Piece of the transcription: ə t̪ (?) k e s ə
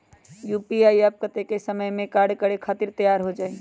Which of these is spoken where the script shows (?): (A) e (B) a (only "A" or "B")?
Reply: A